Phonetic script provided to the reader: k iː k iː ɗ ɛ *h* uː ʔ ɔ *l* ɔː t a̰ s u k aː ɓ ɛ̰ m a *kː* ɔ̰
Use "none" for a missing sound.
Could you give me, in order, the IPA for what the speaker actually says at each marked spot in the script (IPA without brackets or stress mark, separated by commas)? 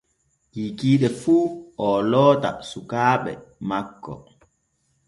f, l, kː